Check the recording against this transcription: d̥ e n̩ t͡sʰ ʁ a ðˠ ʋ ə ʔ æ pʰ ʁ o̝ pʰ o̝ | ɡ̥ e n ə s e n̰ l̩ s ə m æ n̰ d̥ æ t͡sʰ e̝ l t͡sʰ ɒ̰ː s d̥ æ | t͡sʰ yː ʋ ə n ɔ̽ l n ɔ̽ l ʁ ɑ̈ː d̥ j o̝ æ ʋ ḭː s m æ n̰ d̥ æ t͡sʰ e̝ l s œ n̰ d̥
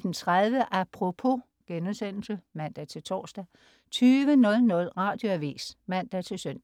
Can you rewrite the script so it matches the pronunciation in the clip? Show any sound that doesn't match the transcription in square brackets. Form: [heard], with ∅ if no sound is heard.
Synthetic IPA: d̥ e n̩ t͡sʰ ʁ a ðˠ ʋ ə ʔ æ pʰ ʁ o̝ pʰ o̝ | ɡ̥ e n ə s e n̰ l̩ s ə m æ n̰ d̥ æ t͡sʰ e̝ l t͡sʰ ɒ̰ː s d̥ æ | t͡sʰ yː ʋ ə n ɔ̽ l n ɔ̽ l ʁ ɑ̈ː d̥ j o̝ æ ʋ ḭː s m æ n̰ d̥ æ t͡sʰ e̝ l s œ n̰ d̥

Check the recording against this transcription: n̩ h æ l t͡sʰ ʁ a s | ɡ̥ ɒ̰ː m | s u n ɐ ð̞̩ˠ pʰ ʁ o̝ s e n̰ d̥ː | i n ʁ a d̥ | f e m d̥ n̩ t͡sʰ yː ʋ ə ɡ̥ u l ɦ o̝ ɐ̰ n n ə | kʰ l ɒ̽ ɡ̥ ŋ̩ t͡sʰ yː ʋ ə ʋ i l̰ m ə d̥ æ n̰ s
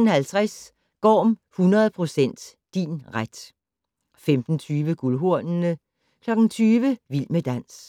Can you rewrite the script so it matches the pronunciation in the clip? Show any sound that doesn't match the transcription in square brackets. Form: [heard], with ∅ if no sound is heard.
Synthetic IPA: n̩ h æ l t͡sʰ ʁ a s | ɡ̥ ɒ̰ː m | [h] u n ɐ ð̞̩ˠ pʰ ʁ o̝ s e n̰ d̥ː | i n ʁ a d̥ | f e m d̥ n̩ t͡sʰ yː ʋ ə ɡ̥ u l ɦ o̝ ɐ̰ n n ə | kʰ l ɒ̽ ɡ̥ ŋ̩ t͡sʰ yː ʋ ə ʋ i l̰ m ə d̥ æ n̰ s

